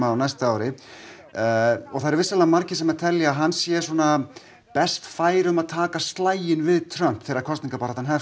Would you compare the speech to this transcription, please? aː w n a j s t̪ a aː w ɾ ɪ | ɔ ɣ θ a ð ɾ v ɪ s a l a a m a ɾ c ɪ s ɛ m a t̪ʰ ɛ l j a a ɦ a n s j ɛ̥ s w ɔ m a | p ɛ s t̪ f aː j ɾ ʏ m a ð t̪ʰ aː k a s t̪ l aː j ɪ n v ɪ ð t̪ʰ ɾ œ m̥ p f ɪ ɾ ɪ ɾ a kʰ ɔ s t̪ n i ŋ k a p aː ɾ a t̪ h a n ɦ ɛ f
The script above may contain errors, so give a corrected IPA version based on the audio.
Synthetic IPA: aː w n a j s t̪ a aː w ɾ ɪ | ɔ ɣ θ a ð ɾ v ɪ s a l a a m a ɾ c ɪ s ɛ m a t̪ʰ ɛ l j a a ɦ a n s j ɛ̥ s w ɔ n a | p ɛ s t̪ f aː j ɾ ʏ m a ð t̪ʰ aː k a s t̪ l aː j ɪ n v ɪ ð t̪ʰ ɾ œ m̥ p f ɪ ɾ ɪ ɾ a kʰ ɔ s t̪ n i ŋ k a p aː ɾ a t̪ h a n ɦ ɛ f